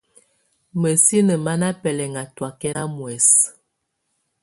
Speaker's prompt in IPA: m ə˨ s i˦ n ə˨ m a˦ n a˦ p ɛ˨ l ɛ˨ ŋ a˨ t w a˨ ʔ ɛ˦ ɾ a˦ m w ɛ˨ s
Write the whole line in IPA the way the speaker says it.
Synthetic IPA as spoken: m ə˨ s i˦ n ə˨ m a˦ n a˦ p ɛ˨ l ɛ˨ ŋ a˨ t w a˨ k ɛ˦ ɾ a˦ m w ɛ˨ s